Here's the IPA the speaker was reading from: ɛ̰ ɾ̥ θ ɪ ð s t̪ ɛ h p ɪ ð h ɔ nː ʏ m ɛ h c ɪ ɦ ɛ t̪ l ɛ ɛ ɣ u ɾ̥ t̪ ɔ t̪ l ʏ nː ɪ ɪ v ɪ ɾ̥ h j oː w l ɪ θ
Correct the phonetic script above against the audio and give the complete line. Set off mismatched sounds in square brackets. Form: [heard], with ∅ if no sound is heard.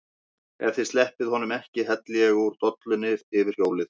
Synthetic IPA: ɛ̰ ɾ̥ θ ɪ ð s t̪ ɛ h p ɪ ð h ɔ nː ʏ m ɛ h c ɪ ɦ ɛ t̪ l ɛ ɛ ɣ u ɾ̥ t̪ ɔ t̪ l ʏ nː ɪ ɪ v ɪ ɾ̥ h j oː w l ɪ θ